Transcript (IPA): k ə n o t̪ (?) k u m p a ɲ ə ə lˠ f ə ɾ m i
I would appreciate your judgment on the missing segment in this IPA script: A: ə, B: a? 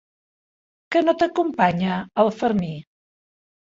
A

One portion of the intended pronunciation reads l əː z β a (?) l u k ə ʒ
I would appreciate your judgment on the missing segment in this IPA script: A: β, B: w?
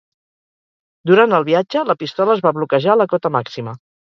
A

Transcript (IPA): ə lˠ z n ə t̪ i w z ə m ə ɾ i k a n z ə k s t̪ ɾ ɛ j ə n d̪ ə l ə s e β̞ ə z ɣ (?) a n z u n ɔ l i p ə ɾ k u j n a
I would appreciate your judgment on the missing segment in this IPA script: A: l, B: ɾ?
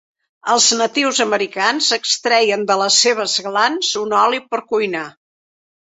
A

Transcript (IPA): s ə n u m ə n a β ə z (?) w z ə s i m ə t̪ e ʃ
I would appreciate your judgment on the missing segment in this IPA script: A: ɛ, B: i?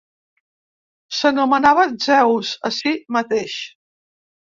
A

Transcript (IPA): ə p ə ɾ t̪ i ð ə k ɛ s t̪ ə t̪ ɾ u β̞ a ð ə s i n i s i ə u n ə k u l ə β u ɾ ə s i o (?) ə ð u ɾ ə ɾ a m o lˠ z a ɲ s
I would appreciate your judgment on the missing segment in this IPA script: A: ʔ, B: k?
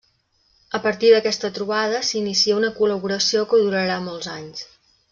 B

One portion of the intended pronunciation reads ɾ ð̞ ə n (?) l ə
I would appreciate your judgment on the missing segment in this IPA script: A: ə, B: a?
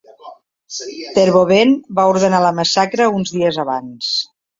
B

